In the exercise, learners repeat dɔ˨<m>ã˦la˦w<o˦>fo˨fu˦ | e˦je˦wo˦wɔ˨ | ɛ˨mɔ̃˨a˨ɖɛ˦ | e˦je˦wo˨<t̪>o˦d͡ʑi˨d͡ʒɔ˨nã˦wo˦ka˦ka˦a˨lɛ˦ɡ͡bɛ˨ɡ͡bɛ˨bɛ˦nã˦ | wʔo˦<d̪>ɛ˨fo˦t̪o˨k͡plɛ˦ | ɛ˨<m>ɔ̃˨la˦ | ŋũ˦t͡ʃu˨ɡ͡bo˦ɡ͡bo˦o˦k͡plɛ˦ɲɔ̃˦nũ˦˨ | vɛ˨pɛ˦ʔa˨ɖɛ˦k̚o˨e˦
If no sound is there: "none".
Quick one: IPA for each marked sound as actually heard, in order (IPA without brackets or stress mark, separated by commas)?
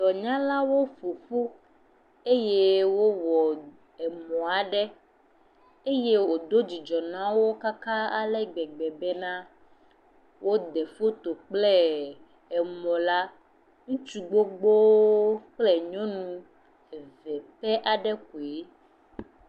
ɲ, o˦, d̪, d̪, m